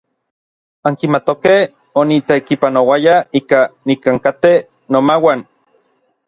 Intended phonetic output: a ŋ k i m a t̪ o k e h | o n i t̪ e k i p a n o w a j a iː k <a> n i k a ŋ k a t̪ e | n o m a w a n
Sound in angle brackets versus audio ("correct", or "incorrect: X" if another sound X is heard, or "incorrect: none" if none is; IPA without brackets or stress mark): correct